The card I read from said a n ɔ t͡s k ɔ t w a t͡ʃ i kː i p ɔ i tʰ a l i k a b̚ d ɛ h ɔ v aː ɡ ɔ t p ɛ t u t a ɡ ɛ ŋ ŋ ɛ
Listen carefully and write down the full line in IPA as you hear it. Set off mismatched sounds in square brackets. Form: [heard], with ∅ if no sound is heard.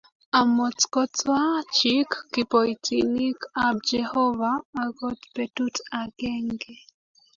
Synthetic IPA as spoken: a [m] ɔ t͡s k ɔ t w a t͡ʃ i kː i p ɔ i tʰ [i] l i k a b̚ [d͡ʒ] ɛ h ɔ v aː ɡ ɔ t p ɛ t u t a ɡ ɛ ŋ [ɡ] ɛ